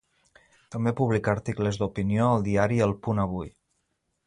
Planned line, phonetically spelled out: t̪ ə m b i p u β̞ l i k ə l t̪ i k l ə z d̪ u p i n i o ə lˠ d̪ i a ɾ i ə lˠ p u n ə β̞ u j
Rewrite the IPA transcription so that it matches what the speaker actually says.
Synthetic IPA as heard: t̪ ə m b e p u β̞ l i k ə ɾ t̪ i k l ə z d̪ u p i n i o ə lˠ d̪ i a ɾ i ə lˠ p u n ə β̞ u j